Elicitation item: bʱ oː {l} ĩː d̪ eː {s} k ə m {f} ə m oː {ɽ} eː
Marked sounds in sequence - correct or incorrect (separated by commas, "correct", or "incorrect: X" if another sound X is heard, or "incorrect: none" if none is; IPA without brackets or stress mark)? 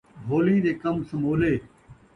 correct, incorrect: none, incorrect: s, incorrect: l